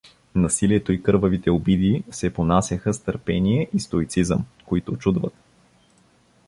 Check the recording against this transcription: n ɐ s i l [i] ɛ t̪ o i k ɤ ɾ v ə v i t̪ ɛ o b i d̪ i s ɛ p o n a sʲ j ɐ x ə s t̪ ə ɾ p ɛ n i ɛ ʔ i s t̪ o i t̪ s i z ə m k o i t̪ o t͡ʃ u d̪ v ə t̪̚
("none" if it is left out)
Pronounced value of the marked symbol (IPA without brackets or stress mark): i